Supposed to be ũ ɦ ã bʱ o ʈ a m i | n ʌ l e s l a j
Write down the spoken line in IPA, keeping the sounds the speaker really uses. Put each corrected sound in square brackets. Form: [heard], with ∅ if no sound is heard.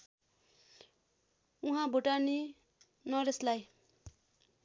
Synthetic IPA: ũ ɦ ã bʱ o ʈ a [n] i | n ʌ [ɾ] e s l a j